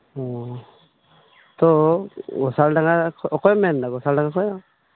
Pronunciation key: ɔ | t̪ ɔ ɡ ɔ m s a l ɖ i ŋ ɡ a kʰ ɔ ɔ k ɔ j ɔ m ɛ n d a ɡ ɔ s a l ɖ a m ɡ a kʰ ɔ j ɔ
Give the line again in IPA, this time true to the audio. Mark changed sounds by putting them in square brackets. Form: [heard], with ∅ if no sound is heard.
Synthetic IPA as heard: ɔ | t̪ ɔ ɡ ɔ [∅] s a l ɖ [a] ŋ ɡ a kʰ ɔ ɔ k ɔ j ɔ m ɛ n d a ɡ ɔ s a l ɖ a [ŋ] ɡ a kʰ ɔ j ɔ